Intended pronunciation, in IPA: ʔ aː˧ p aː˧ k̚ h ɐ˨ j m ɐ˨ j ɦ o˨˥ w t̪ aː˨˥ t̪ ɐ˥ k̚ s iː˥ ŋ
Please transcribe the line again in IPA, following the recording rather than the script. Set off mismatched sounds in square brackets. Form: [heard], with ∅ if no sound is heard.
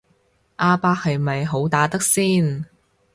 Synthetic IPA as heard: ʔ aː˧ p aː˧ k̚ h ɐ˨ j m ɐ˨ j ɦ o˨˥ w t̪ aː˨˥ t̪ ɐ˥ k̚ s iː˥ [n]